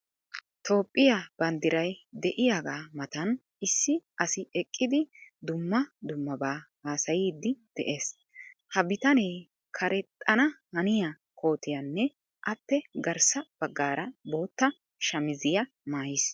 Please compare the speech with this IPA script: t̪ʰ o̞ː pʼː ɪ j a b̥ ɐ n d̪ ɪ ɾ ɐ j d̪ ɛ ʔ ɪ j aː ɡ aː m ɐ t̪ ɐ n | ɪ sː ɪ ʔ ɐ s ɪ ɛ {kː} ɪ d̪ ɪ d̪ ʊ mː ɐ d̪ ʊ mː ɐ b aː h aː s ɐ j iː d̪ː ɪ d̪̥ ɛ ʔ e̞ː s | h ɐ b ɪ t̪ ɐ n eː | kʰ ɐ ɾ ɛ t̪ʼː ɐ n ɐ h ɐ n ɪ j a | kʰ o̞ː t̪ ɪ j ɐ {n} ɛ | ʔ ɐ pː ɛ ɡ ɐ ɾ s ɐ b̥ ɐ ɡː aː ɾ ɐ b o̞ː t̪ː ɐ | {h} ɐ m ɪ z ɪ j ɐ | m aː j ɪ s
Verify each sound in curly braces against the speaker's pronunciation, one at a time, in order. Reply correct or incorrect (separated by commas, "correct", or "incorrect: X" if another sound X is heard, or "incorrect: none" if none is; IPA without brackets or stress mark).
incorrect: kʼː, incorrect: nː, incorrect: ʃ